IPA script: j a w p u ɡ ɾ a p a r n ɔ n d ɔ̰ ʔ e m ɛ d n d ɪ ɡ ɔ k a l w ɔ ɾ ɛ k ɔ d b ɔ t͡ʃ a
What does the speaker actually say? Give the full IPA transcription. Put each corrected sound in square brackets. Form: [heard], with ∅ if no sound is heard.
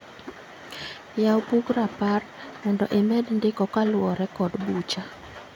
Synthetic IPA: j a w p u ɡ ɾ a p a r [m] ɔ n d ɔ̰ ʔ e m ɛ d n d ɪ [k] ɔ k a l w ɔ ɾ ɛ k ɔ d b [u] t͡ʃ a